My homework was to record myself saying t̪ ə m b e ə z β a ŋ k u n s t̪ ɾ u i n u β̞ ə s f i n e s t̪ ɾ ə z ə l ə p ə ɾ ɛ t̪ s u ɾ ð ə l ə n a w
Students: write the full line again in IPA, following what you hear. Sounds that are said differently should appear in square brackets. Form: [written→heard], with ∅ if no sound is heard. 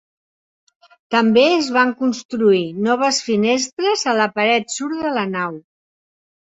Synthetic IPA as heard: t̪ ə m b e ə z β a ŋ k u n s t̪ ɾ u i n [u→ɔ] β̞ ə s f i n e s t̪ ɾ ə z ə l ə p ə ɾ ɛ t̪ s u ɾ ð ə l ə n a w